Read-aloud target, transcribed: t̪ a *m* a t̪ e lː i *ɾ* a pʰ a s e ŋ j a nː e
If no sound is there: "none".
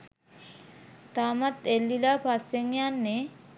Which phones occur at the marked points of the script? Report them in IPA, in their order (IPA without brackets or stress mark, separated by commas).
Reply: m, l